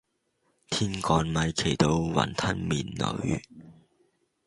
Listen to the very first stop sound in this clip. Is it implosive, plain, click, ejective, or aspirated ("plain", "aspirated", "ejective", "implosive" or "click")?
aspirated